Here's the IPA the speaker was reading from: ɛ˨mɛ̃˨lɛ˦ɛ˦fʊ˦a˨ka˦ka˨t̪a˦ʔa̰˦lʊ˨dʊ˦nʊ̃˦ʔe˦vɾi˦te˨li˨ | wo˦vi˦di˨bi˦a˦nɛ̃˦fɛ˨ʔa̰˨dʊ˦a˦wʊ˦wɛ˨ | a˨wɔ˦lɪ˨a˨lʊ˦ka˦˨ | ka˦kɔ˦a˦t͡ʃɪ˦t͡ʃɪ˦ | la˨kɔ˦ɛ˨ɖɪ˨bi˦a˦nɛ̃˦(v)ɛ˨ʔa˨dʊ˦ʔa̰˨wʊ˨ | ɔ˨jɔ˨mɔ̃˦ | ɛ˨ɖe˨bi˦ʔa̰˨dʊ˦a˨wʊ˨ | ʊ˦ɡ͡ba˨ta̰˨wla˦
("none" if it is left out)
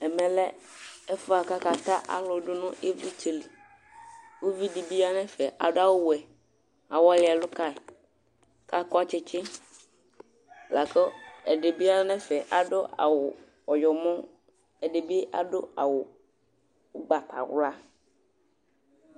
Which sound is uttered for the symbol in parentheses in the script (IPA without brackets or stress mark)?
f